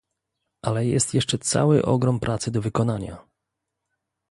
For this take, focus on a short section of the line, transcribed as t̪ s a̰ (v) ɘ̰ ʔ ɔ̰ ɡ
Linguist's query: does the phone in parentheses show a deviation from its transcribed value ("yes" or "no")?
yes